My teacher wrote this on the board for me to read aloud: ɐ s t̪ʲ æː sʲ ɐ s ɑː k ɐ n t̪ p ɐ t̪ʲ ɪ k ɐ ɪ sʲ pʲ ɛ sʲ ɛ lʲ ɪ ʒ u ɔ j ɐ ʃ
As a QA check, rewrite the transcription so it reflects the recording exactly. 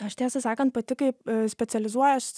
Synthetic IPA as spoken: ɐ ʃ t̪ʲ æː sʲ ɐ s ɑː k ɐ n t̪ p ɐ t̪ʲ ɪ k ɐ ɪ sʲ pʲ ɛ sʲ ɛ lʲ ɪ z u ɔ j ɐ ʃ